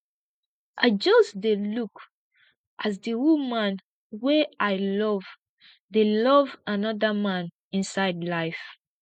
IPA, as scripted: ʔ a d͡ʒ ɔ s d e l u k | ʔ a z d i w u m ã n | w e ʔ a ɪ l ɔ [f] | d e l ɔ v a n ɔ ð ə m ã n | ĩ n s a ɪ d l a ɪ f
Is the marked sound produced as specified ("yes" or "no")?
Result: no